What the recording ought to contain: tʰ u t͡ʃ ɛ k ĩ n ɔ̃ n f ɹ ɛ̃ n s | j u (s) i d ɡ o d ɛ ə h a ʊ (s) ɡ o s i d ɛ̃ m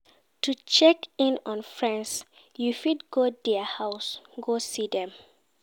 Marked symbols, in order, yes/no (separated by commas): no, yes